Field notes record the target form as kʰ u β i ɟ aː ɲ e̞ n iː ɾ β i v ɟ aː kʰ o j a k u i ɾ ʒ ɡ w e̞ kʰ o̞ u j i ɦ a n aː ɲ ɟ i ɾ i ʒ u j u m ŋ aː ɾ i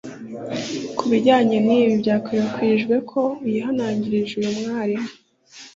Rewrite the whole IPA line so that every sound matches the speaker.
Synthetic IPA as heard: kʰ u β i ɟ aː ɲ e̞ n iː β i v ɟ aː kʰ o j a k w i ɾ ʒ ɡ w e̞ kʰ o̞ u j i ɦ a n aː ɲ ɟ i ɾ i ʒ u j u m ŋ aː ɾ i

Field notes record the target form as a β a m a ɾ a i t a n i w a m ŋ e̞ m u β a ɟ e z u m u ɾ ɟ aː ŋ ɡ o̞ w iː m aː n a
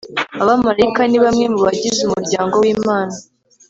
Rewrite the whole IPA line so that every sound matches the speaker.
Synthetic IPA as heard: a β a m a ɾ a i k a n i β a m ŋ e̞ m u β a ɟ i z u m u ɾ ɟ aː ŋ ɡ o̞ w iː m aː n a

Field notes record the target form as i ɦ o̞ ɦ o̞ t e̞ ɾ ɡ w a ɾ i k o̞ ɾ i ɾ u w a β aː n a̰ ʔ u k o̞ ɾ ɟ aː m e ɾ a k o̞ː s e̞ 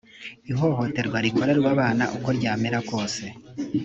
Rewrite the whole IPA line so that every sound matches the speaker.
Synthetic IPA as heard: i ɦ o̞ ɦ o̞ t e̞ ɾ ɡ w a ɾ i k o̞ ɾ e ɾ u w a β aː n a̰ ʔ u k o̞ ɾ ɟ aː m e ɾ a k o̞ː s e̞

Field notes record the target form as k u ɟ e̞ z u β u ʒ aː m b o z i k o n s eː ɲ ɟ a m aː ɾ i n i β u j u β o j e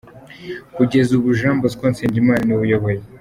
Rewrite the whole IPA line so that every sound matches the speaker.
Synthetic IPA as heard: k u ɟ e̞ z u β u ʒ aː m b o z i k o n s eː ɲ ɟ i m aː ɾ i n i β u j o β o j e

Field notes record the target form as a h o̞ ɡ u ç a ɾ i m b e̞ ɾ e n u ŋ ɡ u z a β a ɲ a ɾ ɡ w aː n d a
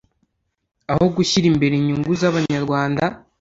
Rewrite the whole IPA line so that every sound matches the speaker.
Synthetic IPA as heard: a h o̞ ɡ u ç i ɾ i m b e̞ ɾ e ɲ u ŋ ɡ u z a β a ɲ a ɾ ɡ w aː n d a

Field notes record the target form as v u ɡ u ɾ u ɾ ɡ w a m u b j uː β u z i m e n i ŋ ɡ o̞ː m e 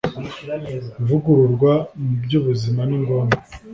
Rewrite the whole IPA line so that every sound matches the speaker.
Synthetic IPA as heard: v u ɡ u ɾ u ɾ ɡ w a m u b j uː β u z i m a n i ŋ ɡ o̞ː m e

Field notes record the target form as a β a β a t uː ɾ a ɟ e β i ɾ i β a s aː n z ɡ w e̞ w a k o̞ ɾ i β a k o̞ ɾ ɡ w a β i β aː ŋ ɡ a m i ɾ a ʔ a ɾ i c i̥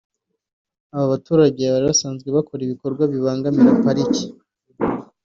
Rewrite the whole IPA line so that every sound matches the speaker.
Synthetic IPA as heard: a β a β a t uː ɾ a ɟ e β a ɾ i β a s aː n z ɡ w e̞ β a k o̞ ɾ i β i k o̞ ɾ ɡ w a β i β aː ŋ ɡ a m i ɾ a p a ɾ i c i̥

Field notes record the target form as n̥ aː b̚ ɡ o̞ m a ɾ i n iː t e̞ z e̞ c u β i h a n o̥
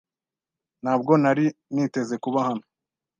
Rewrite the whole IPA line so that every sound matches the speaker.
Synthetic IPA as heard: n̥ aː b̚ ɡ o̞ n a ɾ i n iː t e̞ z e̞ k u β a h a n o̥

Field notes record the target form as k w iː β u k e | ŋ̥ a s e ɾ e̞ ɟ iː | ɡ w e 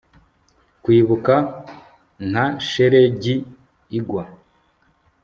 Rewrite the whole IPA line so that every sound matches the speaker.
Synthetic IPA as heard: k w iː β u k a | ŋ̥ a ʃ e ɾ e̞ ɟ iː | ɡ w a

